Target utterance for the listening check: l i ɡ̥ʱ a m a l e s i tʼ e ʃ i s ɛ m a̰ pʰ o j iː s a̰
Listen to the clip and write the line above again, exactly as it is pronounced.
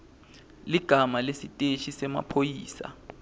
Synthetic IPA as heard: l i ɡ̥ʱ a m a l e s i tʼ e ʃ i s ɛ m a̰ pʰ o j iː s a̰

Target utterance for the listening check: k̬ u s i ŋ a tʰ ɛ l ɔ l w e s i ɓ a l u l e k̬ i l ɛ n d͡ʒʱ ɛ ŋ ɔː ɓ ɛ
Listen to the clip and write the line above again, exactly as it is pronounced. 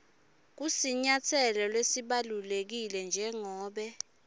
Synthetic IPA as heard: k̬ u s i ɲ a tʰ ɛ l ɔ l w e s i ɓ a l u l e k̬ i l ɛ n d͡ʒʱ ɛ ŋ ɔː ɓ ɛ

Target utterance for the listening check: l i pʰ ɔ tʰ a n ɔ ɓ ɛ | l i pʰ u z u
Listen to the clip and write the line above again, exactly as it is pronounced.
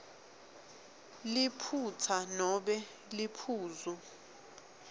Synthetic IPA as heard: l i pʰ u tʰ a n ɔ ɓ ɛ | l i pʰ uː z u

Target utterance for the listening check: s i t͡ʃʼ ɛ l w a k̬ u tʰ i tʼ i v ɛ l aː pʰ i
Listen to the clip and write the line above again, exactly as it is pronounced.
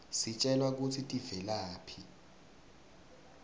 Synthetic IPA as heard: s i t͡ʃʼ ɛ l w a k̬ u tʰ i tʼ i v ɛ l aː pʰ i

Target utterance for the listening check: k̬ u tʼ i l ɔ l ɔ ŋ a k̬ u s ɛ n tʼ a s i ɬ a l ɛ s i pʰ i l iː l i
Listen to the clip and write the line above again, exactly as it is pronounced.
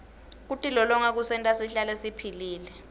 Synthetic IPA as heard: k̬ u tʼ i l ɔ l ɔ ŋ a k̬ u s ɛ n tʼ a s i ɬ a l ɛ s i pʰ i l iː l ɛ

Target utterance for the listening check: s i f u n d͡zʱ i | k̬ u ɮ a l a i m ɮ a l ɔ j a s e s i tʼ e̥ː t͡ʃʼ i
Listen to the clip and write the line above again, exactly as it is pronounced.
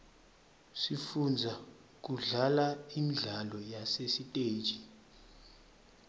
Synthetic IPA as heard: s i f u n d͡zʱ a | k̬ u ɮ a l a i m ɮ a l ɔ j a s e s i tʼ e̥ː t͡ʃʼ i

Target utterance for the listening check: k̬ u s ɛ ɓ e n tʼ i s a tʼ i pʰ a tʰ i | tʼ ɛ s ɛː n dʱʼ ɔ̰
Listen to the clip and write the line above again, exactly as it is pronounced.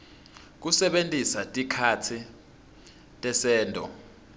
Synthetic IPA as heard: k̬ u s ɛ ɓ e n tʼ i s a tʼ i kʰ a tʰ i | tʼ ɛ s ɛː n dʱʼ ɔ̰

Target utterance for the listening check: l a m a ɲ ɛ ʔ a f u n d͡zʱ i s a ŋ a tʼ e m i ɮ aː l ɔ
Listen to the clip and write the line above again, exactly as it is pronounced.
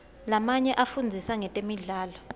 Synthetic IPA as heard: l a m a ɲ ɛ ʔ a f u n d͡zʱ i s a ŋ ɛ tʼ e m i ɮ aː l ɔ

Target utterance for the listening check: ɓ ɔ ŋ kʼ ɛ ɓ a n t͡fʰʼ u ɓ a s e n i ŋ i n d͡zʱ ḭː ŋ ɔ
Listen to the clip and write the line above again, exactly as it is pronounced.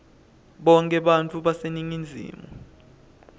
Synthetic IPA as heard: ɓ ɔ ŋ kʼ ɛ ɓ a n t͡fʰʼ u ɓ a s e n i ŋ i n d͡zʱ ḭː m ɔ

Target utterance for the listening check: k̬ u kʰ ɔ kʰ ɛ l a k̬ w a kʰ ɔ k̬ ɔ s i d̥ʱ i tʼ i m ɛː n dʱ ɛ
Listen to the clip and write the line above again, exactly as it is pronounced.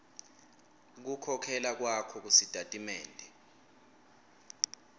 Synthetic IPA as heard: k̬ u kʰ ɔ kʰ ɛ l a k̬ w a kʰ ɔ k̬ u s i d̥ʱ a tʼ i m ɛː n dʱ ɛ

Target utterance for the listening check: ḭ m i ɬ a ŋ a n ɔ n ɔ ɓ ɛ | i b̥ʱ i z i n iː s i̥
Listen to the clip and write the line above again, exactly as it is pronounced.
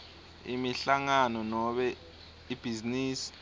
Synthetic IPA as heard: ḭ m i ɬ a ŋ a n ɔ n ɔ ɓ ɛ | i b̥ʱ i z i n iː s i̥

